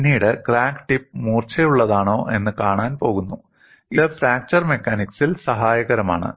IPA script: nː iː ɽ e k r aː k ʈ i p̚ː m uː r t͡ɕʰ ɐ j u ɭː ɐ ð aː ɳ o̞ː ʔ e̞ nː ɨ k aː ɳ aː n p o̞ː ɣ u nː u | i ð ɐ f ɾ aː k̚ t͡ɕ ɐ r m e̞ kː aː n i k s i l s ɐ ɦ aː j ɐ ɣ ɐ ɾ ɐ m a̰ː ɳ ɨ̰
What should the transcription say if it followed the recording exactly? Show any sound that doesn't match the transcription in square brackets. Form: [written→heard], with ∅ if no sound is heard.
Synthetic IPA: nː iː ɽ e k r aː k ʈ i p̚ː m uː r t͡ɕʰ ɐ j u ɭː ɐ ð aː ɳ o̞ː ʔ e̞ nː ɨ k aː ɳ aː n p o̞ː ɣ u nː u | i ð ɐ f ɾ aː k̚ t͡ɕ ɐ r m e̞ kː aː n i k s i l s ɐ ɦ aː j ɐ ɣ ɐ ɾ ɐ m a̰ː ɳ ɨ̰

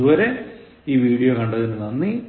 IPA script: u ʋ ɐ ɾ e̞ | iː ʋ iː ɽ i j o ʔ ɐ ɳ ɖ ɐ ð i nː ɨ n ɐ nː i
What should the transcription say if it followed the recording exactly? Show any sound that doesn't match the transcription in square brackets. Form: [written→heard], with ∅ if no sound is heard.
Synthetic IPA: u ʋ ɐ ɾ e̞ | iː ʋ iː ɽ i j o [ʔ→k] ɐ ɳ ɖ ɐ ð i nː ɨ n ɐ nː i

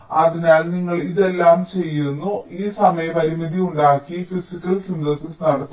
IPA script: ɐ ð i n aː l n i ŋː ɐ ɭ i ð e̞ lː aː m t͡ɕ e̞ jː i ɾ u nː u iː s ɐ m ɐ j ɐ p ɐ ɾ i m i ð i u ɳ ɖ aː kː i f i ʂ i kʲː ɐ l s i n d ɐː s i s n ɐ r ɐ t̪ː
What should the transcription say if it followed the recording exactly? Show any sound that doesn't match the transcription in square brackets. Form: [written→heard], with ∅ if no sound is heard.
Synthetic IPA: ɐ ð i n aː l n i ŋː ɐ ɭ i ð e̞ lː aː m t͡ɕ e̞ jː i ɾ u nː u iː s ɐ m ɐ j ɐ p ɐ ɾ i m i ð i u ɳ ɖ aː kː i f i [ʂ→s] i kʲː ɐ l s i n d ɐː s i s n ɐ [r→ɽ] ɐ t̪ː

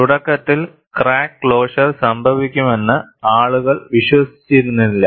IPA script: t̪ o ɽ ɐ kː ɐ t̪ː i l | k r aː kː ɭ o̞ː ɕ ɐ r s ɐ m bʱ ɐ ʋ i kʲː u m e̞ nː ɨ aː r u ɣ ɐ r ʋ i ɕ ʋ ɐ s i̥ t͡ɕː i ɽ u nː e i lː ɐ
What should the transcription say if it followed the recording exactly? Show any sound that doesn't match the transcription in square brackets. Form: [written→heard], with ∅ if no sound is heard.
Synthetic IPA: t̪ [o→u] ɽ ɐ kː ɐ t̪ː i l | k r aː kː ɭ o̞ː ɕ ɐ r s ɐ m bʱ ɐ ʋ i kʲː u m e̞ nː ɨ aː [r→ɭ] u ɣ ɐ [r→ɭ] ʋ i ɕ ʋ ɐ s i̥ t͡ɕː i [ɽ→ɾ] u nː [e→i] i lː ɐ

